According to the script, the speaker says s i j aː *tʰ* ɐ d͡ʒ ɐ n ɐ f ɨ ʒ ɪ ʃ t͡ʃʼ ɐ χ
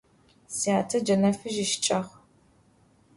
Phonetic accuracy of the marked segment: correct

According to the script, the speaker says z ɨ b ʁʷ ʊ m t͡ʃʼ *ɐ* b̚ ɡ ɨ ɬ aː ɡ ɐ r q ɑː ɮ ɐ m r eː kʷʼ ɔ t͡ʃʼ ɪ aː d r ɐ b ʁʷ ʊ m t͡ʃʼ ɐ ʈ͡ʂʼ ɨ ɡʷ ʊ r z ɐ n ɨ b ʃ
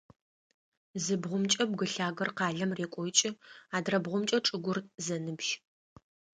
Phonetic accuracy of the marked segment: correct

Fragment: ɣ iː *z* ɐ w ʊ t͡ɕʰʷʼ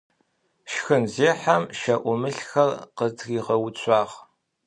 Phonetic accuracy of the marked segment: incorrect: ʁ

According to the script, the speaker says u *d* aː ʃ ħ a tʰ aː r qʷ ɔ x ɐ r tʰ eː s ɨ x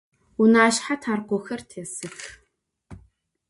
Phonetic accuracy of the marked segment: incorrect: n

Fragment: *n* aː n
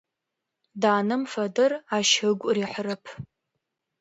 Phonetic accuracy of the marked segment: incorrect: d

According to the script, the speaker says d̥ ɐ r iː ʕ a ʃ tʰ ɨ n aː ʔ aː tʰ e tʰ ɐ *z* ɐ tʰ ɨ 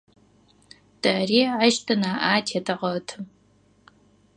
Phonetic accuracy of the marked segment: incorrect: ʁ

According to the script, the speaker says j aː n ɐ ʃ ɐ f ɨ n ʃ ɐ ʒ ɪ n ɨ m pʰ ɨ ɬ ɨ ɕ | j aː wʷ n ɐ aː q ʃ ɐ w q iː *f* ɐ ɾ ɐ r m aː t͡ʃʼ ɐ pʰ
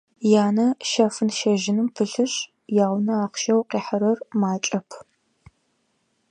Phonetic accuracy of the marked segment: incorrect: ħ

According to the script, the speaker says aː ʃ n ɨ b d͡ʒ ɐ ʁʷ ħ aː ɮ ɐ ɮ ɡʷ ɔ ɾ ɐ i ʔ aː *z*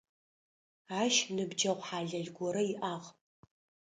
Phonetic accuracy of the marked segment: incorrect: ʁ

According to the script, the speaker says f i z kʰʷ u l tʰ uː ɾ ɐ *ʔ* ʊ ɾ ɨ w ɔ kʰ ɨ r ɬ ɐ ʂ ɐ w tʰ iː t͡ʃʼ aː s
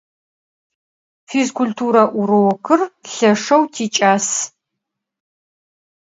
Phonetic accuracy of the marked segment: correct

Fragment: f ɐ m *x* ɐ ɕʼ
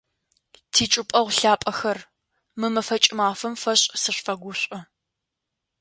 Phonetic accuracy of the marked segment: incorrect: f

